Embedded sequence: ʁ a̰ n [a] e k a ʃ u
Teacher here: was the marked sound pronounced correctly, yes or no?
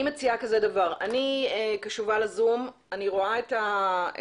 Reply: no